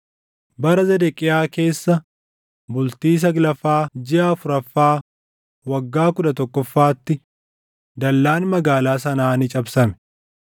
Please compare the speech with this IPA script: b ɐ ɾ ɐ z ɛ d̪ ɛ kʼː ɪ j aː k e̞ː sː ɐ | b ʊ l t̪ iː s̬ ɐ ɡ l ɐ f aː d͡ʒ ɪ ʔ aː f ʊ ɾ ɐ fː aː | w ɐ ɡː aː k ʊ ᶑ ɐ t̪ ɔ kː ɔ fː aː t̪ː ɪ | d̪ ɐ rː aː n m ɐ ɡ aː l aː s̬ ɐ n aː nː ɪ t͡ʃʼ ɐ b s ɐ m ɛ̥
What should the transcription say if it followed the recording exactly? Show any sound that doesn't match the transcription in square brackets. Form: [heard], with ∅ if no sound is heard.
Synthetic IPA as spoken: b ɐ ɾ ɐ z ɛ d̪ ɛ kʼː ɪ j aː k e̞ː sː ɐ | b ʊ l t̪ iː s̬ ɐ ɡ l ɐ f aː d͡ʒ ɪ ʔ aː f ʊ ɾ ɐ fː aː | w ɐ ɡː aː k ʊ ᶑ ɐ t̪ ɔ kː ɔ fː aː t̪ː ɪ | d̪ ɐ [lː] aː n m ɐ ɡ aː l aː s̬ ɐ n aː [n] ɪ t͡ʃʼ ɐ b s ɐ m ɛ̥